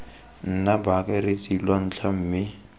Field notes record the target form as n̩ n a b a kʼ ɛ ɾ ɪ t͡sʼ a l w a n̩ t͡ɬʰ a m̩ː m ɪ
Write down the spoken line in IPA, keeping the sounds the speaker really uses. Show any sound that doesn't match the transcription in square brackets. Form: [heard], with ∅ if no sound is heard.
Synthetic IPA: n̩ n a b a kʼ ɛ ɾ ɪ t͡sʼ [i] l w a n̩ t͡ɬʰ a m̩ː m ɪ